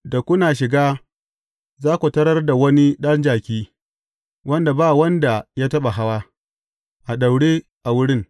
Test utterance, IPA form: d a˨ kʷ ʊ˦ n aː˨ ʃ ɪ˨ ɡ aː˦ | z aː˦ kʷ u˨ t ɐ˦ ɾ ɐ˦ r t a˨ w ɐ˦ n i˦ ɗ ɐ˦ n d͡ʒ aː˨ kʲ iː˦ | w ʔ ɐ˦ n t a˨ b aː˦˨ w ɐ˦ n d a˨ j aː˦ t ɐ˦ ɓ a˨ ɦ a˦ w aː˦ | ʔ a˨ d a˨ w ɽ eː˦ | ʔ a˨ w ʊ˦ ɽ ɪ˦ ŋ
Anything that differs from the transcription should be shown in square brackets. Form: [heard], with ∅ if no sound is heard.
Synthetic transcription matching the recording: d a˨ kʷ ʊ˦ n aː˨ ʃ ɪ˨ ɡ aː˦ | z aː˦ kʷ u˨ t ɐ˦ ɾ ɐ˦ r [d] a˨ w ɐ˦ n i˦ ɗ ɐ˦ n d͡ʒ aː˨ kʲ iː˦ | w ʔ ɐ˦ n [d] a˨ b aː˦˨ w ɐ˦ n d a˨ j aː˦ t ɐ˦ ɓ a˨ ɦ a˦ w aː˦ | ʔ a˨ [ɗ] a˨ w ɽ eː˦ | ʔ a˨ w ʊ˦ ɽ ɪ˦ ŋ